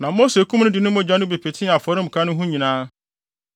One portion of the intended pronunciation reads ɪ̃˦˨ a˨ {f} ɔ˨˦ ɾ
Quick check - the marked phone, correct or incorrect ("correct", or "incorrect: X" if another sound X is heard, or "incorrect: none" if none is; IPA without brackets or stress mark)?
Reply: correct